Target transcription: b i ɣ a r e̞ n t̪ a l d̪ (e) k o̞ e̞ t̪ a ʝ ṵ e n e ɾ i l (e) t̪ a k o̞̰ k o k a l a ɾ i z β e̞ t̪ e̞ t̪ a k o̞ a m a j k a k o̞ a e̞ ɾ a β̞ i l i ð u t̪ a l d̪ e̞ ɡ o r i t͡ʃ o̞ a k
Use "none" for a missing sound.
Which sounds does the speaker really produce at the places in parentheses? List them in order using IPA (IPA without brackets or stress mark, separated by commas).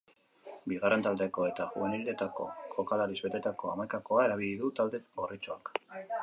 e, e